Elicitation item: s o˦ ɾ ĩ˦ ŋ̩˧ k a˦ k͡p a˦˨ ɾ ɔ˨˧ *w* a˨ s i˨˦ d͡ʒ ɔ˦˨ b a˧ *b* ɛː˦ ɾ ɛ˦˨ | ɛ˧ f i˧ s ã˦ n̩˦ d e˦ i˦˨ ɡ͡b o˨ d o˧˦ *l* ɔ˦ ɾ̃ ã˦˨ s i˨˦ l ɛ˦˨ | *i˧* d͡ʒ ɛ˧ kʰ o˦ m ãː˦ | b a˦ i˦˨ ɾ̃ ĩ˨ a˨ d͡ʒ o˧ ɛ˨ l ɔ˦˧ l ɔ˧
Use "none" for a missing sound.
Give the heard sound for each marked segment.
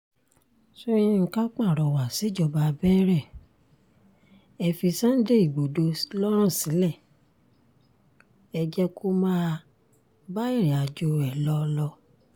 w, b, l, ɛ˧

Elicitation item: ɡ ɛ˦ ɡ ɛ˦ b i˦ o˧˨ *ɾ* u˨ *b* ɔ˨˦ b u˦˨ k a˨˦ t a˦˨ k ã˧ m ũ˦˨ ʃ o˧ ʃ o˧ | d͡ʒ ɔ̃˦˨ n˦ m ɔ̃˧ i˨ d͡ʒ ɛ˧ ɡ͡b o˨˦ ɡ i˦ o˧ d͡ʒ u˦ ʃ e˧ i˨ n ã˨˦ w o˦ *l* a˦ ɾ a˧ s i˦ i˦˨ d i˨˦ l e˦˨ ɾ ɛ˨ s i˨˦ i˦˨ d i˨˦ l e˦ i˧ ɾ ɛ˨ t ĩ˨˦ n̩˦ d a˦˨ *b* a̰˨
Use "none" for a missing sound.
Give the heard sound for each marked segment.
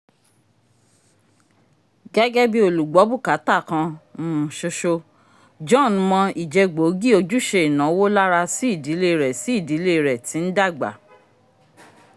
l, ɡ͡b, l, ɡ͡b

